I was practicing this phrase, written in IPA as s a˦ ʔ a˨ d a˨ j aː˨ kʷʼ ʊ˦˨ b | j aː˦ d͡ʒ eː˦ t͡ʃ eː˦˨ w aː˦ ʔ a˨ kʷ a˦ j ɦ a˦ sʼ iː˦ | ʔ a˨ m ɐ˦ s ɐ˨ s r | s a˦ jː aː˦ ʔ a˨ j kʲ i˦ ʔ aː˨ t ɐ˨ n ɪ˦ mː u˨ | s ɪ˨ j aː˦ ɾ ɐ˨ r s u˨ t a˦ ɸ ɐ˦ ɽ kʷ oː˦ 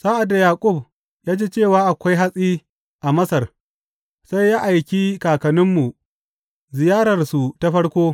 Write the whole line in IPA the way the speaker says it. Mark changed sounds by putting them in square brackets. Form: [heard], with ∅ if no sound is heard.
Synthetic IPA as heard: s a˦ ʔ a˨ d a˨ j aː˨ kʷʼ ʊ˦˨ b | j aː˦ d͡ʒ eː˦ t͡ʃ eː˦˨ w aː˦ ʔ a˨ kʷ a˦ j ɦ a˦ sʼ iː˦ | ʔ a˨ m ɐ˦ s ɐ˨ [∅] r | s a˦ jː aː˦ ʔ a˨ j kʲ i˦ [k] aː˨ [k] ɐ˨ n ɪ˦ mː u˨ | [z] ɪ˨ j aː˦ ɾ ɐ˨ r s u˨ t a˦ ɸ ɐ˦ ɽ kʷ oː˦